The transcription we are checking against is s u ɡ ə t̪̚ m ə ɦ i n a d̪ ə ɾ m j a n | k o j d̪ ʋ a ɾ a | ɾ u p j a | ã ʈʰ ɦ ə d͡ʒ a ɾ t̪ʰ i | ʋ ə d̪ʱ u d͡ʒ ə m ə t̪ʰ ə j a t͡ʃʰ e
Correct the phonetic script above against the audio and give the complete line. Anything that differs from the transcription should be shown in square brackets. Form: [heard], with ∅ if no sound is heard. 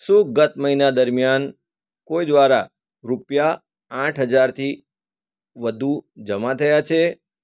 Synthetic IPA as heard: s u ɡ ə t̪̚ m ə ɦ i n a d̪ ə ɾ m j a n | k o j d̪ ʋ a ɾ a | ɾ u p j a | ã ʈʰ ɦ ə d͡ʒ a ɾ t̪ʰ i | ʋ ə d̪ʱ u d͡ʒ ə m [a] t̪ʰ ə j a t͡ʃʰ e